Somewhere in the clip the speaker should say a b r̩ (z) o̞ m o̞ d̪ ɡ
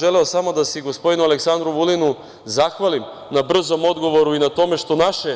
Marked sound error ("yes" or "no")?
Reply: no